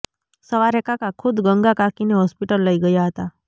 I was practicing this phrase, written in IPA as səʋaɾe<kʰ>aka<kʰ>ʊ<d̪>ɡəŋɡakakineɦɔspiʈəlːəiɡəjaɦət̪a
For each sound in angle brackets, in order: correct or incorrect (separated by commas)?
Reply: incorrect, correct, correct